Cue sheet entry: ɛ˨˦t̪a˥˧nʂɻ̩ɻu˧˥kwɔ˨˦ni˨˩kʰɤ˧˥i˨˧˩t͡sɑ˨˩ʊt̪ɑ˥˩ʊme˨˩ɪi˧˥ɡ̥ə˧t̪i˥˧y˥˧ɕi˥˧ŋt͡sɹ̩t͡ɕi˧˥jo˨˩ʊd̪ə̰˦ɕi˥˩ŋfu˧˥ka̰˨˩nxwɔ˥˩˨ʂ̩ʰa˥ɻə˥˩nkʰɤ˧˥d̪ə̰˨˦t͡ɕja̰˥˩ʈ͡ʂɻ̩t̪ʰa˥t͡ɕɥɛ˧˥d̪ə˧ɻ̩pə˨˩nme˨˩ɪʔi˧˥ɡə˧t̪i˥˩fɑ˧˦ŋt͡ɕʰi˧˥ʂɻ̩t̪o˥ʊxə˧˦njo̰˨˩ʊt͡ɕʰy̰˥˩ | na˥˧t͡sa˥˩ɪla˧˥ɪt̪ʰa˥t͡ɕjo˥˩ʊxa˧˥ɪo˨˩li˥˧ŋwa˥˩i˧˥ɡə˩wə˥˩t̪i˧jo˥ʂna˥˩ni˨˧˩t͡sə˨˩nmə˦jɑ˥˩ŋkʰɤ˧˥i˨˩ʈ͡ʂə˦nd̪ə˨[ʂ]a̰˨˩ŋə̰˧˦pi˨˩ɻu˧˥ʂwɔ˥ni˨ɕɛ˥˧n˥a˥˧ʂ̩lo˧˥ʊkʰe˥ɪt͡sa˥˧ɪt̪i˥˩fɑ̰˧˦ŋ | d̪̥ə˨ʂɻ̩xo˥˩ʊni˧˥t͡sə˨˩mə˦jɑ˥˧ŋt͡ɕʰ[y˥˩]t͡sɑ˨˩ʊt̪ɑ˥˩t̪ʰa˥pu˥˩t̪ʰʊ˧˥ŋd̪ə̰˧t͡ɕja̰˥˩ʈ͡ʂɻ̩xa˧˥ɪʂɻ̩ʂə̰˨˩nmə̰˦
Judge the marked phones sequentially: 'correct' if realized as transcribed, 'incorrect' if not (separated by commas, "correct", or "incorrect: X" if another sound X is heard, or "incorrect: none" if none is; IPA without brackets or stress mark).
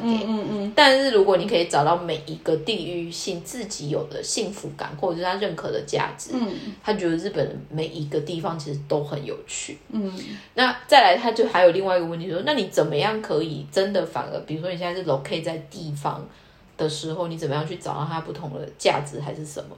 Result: incorrect: f, correct